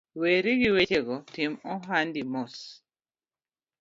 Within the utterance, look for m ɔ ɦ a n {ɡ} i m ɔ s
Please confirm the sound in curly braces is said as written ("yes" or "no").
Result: no